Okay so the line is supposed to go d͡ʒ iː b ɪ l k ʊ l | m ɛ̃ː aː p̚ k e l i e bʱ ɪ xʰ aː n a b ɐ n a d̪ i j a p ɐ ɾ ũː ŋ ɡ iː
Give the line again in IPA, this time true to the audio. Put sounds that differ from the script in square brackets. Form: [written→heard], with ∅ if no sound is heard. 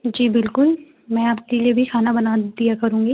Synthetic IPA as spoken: d͡ʒ iː b ɪ l k ʊ l | m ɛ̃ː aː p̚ k e l i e bʱ [ɪ→i] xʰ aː n a b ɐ n a d̪ i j a [p→k] ɐ ɾ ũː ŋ ɡ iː